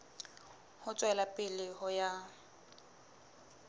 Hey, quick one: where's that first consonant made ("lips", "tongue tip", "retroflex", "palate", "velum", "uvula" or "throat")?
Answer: throat